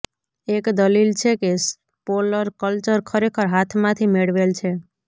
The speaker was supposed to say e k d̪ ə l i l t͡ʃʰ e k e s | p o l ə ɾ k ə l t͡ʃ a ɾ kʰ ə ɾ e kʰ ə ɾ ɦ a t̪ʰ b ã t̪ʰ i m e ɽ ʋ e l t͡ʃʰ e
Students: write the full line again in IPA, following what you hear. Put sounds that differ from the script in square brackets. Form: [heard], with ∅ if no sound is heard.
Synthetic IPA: e k d̪ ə l i l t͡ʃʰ e k e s | p o l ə ɾ k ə l t͡ʃ [ə] ɾ kʰ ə ɾ e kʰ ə ɾ ɦ a t̪ʰ [m] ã t̪ʰ i m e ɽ ʋ e l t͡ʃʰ e

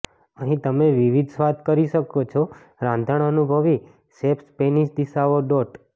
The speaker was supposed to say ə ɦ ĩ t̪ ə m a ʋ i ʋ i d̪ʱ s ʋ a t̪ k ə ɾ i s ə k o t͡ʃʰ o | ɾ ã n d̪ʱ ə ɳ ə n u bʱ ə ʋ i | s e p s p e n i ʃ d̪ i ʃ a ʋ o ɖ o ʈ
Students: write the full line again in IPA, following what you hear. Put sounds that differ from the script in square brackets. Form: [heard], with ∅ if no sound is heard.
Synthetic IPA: ə ɦ ĩ t̪ ə m [e] ʋ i ʋ i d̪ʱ s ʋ a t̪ k ə ɾ i [ʃ] ə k o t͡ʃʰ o | ɾ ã n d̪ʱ ə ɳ ə n u bʱ ə ʋ i | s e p s p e n i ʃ d̪ i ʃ a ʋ o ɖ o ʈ

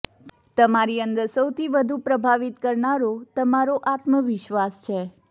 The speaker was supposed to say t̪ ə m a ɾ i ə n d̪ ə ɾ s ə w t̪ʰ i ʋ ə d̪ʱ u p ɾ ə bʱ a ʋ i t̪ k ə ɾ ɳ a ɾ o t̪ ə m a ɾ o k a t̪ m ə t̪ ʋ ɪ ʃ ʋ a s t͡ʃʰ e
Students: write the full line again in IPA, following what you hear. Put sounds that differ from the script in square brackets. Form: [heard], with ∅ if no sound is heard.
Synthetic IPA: t̪ ə m a ɾ i ə n d̪ ə ɾ s ə w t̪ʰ i ʋ ə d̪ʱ u p ɾ ə bʱ a ʋ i t̪ k ə ɾ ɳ a ɾ o t̪ ə m a ɾ o [ʔ] a t̪ m ə [∅] ʋ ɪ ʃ ʋ a s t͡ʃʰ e

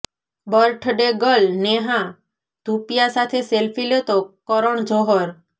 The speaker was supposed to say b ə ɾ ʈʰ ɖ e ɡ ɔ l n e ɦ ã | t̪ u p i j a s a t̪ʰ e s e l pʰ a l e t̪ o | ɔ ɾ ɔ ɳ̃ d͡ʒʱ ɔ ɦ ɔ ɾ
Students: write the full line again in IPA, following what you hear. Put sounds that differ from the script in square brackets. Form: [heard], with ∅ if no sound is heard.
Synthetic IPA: b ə ɾ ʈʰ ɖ e ɡ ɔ l n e ɦ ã | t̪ u p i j a s a t̪ʰ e s e l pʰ [i] l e t̪ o | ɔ ɾ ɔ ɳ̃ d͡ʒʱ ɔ ɦ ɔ ɾ

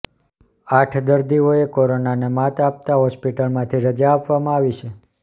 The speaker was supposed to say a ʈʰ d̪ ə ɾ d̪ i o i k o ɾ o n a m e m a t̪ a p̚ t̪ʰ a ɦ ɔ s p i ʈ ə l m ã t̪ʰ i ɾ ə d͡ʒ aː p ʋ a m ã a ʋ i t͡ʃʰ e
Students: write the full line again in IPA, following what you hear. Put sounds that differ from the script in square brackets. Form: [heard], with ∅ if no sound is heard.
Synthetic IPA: a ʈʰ d̪ ə ɾ d̪ i o [e] k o ɾ o n a [n] e m a t̪ a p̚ [t̪] a ɦ ɔ s p i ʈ ə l m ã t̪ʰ i ɾ ə d͡ʒ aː p ʋ a m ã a ʋ i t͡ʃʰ e

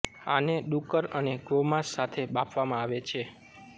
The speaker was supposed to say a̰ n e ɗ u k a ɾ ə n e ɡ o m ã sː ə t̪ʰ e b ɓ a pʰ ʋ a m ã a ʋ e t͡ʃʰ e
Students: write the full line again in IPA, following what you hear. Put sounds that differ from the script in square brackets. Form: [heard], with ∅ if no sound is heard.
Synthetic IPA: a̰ n e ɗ u k [ə] ɾ ə n e ɡ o m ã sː [a] t̪ʰ e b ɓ a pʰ ʋ a m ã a ʋ e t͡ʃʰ e

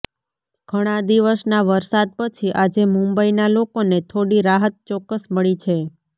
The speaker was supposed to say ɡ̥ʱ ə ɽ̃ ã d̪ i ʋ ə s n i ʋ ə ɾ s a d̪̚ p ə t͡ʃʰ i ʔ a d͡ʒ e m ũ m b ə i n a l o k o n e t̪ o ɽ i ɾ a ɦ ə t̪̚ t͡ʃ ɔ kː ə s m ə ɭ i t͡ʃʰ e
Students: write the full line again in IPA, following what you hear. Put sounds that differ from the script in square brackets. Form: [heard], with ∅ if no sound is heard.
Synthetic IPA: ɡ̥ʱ ə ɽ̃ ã d̪ i ʋ ə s n [a] ʋ ə ɾ s a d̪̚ p ə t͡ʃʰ i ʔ a d͡ʒ e m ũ m b ə i n a l o k o n e [t̪ʰ] o ɽ i ɾ a ɦ ə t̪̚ t͡ʃ ɔ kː ə s m ə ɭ i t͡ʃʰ e

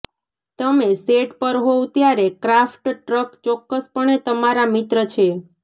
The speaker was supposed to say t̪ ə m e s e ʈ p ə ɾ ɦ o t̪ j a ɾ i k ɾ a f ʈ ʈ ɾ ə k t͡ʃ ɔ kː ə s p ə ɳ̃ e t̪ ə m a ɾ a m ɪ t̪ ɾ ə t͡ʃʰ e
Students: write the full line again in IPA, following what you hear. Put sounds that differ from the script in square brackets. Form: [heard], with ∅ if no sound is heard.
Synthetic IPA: t̪ ə m e s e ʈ p ə ɾ ɦ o t̪ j a ɾ [e] k ɾ a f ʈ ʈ ɾ ə k t͡ʃ ɔ kː ə s p ə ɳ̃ e t̪ ə m a ɾ a m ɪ t̪ ɾ ə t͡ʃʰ e

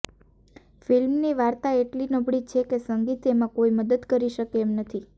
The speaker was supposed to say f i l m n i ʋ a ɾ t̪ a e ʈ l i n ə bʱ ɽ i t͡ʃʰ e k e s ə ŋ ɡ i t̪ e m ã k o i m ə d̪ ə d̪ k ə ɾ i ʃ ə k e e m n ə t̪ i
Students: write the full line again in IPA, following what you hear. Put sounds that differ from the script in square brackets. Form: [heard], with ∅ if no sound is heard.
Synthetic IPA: f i l m n i ʋ a ɾ t̪ a e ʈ l i n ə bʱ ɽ i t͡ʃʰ e k e s ə ŋ ɡ i t̪ e m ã k o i m ə d̪ ə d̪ k ə ɾ i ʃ ə k e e m n ə [t̪ʰ] i

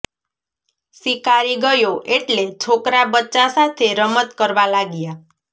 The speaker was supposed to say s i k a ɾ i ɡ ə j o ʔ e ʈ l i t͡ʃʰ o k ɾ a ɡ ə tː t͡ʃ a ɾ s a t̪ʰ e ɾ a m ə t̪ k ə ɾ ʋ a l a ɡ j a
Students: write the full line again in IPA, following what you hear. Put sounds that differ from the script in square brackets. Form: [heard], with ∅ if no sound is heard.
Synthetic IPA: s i k a ɾ i ɡ ə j o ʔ e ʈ l [e] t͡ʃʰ o k ɾ a [b] ə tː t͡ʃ a [∅] s a t̪ʰ e ɾ [ə] m ə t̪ k ə ɾ ʋ a l a ɡ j a

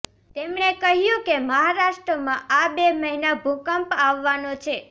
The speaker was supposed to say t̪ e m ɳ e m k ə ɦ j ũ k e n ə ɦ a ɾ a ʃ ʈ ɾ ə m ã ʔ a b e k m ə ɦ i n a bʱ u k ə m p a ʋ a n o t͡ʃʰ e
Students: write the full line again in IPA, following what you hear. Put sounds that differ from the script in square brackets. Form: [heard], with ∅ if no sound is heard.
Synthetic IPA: t̪ e m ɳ e [∅] k ə ɦ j ũ k e [m] ə ɦ a ɾ a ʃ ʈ ɾ ə m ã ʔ a b e [∅] m ə ɦ i n a bʱ u k ə m p a [ʋː] a n o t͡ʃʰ e

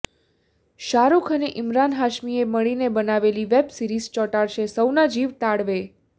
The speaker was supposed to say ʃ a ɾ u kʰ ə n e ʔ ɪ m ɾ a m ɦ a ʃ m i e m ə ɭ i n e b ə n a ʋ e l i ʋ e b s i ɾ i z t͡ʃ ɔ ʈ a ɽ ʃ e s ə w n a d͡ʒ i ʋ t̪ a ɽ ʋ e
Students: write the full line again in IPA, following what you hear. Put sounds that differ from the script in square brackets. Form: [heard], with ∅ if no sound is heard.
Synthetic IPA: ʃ a ɾ u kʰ ə n e ʔ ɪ m ɾ a [n] ɦ a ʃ m i e m ə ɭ i n e b ə n a ʋ e l i ʋ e b s i ɾ i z t͡ʃ ɔ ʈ a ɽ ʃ e s ə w n a d͡ʒ i ʋ t̪ a ɽ ʋ e

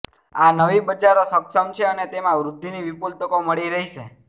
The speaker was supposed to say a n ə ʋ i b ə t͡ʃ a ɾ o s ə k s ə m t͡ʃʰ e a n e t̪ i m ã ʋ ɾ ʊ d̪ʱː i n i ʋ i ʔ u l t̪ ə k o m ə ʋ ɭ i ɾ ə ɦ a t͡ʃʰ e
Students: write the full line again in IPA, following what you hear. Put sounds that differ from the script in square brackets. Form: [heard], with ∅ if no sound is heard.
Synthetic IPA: a n ə ʋ i b ə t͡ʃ a ɾ o s ə k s ə m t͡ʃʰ e [ə] n e t̪ [e] m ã ʋ ɾ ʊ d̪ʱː i n i ʋ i [p] u l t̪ ə k o m ə [∅] ɭ i ɾ ə ɦ [i] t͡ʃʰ e

